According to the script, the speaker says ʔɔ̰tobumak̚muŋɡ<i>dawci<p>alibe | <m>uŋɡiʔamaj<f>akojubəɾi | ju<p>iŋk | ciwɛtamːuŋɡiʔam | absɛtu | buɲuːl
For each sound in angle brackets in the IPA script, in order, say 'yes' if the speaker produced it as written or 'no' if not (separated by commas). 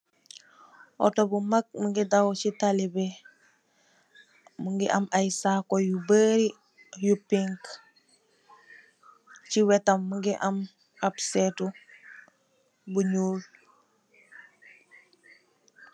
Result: yes, no, yes, no, yes